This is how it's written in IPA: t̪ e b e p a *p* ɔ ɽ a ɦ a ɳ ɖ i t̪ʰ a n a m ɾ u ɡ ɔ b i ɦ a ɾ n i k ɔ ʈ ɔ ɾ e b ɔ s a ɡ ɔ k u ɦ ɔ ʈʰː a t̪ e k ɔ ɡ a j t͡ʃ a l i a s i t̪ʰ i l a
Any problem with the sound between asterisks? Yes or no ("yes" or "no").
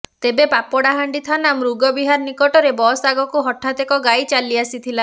no